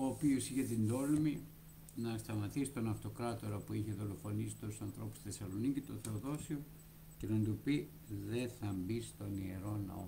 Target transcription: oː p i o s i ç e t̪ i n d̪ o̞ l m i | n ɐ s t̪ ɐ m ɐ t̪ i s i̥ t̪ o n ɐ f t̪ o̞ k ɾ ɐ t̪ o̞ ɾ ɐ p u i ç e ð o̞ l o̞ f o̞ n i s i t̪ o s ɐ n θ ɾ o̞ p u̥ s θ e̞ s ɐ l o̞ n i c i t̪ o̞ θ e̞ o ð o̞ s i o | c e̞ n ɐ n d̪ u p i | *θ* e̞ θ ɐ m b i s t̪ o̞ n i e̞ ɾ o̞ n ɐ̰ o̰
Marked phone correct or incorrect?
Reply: incorrect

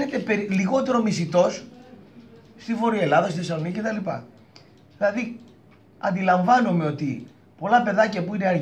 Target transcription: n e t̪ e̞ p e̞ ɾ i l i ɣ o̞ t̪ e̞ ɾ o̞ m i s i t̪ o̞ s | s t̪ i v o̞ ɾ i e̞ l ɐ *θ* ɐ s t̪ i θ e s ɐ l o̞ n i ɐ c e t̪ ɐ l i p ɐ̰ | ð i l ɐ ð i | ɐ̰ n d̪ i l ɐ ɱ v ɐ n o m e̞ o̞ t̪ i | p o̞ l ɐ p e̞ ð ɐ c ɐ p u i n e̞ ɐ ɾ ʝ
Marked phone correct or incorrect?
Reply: incorrect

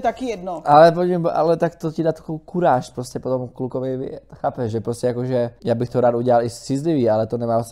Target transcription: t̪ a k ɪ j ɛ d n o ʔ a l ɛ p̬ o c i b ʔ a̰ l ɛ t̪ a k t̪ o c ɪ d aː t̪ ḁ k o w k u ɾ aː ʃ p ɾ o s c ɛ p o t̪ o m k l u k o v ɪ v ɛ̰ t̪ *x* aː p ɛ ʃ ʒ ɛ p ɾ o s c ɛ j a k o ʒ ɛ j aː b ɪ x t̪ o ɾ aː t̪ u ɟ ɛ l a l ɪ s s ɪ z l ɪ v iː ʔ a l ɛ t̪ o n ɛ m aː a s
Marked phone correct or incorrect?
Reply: correct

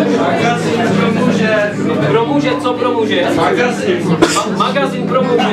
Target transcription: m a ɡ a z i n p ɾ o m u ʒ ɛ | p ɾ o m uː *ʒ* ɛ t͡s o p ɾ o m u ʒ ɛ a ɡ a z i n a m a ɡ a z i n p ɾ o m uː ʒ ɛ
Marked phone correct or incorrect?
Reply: correct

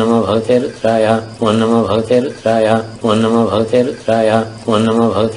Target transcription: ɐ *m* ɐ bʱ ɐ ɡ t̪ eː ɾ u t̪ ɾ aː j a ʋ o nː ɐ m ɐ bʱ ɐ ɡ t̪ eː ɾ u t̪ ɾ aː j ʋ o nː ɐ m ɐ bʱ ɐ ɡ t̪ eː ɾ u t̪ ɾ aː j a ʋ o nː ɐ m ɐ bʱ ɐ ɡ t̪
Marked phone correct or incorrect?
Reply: correct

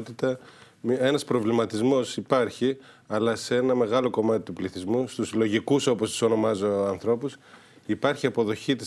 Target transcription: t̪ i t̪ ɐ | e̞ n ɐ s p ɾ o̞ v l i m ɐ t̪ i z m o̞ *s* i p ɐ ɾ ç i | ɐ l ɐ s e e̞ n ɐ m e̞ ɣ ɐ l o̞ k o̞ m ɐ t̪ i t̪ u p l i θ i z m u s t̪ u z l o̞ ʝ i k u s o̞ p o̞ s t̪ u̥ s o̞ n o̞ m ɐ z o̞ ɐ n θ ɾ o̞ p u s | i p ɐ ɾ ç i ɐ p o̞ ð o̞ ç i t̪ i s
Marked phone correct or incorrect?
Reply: correct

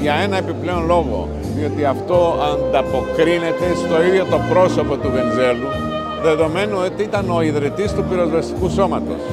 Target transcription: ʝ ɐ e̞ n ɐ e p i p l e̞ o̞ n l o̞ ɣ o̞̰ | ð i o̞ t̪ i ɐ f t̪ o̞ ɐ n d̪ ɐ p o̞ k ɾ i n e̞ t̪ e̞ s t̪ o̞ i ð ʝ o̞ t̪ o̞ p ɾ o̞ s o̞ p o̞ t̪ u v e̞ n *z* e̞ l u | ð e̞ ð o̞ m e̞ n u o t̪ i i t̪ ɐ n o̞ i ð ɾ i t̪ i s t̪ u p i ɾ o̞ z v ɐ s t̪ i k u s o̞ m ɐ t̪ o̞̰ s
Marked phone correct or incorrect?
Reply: correct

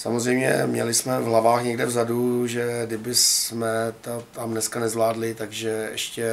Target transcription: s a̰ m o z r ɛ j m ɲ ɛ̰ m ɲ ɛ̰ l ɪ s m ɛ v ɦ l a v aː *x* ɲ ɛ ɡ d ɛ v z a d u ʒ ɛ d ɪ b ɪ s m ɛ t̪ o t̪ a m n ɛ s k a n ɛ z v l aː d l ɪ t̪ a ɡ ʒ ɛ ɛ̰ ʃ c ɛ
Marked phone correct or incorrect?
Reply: correct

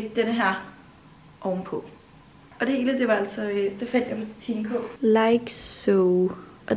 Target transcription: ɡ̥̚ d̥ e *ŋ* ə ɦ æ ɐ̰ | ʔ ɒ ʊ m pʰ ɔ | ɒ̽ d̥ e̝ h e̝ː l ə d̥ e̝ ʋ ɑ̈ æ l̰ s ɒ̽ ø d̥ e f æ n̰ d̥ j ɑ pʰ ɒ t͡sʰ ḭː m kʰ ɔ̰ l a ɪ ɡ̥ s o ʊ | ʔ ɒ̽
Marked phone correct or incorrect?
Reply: incorrect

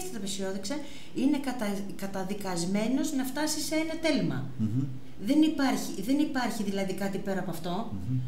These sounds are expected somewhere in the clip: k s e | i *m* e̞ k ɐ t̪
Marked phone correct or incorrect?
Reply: incorrect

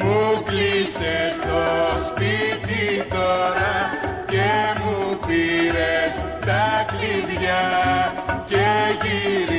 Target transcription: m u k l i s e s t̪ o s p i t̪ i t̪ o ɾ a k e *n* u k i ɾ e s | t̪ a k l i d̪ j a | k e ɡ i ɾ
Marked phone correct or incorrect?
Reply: incorrect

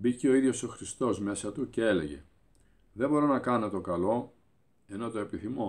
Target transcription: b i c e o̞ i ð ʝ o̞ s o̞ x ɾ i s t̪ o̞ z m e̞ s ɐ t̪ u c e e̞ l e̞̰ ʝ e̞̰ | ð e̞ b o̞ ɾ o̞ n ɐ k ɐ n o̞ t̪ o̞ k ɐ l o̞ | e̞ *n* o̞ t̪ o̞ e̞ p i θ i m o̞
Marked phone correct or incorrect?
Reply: correct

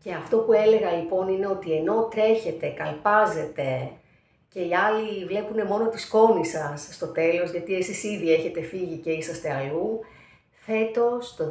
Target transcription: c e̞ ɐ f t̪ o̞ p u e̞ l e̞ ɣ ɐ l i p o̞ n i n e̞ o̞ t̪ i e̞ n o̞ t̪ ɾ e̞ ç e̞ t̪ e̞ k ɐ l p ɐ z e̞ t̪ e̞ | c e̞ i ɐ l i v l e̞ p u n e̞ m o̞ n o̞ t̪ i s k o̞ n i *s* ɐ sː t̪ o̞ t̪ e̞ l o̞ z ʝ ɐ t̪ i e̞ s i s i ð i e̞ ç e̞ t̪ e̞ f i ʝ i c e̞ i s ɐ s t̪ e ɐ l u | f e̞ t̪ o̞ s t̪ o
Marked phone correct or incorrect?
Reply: correct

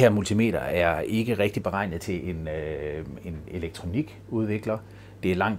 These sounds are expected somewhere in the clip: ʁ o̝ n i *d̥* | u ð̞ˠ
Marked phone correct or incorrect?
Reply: incorrect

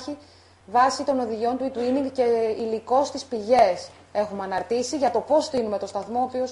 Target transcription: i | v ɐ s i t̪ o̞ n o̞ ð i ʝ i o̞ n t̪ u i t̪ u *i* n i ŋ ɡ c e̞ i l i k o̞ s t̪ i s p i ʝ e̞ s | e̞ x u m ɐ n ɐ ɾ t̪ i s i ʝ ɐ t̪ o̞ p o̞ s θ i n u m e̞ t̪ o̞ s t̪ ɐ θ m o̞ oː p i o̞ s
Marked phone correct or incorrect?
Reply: correct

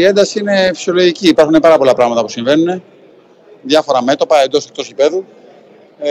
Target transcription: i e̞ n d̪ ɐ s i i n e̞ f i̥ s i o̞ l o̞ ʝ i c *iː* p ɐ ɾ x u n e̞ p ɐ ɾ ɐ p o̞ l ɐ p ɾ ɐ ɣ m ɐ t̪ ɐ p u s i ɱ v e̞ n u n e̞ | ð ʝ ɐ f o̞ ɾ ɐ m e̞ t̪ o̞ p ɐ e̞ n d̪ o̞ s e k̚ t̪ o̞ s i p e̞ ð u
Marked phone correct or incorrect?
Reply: correct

